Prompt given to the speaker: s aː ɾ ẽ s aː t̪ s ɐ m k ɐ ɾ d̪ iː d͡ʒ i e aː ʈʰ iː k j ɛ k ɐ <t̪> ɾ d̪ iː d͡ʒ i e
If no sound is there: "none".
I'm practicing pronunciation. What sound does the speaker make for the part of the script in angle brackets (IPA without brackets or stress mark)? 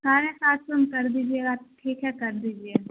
none